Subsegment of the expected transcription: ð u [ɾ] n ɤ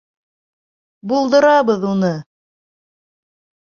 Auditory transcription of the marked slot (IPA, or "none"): none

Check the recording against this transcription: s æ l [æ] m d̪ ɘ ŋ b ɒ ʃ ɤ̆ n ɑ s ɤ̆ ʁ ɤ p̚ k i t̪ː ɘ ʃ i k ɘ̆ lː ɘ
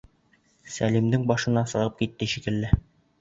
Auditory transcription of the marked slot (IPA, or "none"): i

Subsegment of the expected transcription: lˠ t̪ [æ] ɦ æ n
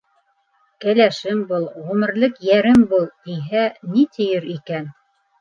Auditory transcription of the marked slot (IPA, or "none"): i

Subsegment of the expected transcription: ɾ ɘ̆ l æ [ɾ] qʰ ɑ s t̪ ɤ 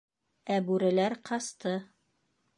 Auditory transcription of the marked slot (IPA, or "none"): ɾ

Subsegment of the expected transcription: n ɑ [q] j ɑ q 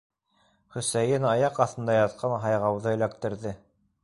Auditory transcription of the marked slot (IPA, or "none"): none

